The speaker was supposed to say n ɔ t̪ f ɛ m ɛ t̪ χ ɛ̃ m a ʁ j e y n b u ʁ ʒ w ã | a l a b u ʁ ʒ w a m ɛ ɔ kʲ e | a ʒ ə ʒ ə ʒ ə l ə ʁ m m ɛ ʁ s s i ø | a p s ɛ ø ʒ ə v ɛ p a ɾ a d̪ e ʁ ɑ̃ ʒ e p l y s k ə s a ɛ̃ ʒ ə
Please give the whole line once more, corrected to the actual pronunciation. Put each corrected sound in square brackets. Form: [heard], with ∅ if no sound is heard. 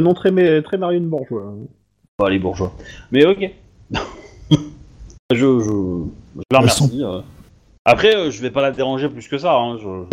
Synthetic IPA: n [ɔ̃] t̪ [χ] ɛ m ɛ t̪ χ [ɛ] m a ʁ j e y n b u ʁ ʒ w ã | a l [e] b u ʁ ʒ w a m ɛ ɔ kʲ e | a ʒ ə ʒ ə ʒ ə l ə ʁ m m ɛ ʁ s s i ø | a p [χ] ɛ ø ʒ ə v ɛ p a [l] a d̪ e ʁ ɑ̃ ʒ e p l y s k ə s a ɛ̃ ʒ ə